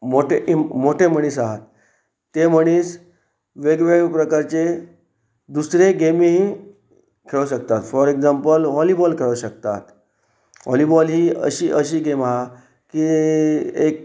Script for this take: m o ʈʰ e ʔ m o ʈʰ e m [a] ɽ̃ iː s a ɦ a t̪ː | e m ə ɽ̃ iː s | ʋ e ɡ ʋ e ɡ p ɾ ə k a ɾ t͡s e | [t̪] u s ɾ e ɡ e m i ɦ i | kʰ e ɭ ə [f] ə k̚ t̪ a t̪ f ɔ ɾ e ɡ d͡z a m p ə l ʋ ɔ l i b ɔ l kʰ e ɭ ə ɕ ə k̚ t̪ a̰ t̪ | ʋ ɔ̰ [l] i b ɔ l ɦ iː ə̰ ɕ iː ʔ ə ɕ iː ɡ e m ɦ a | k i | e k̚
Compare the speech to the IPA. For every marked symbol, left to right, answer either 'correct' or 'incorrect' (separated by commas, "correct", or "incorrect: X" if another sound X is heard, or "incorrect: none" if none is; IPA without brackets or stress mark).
incorrect: ə, incorrect: d̪, incorrect: ɕ, correct